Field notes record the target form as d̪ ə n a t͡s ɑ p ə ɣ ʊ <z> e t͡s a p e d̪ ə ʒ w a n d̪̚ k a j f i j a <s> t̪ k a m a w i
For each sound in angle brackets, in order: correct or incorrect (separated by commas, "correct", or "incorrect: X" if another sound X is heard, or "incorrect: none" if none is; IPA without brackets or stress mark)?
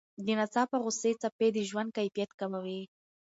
incorrect: s, incorrect: none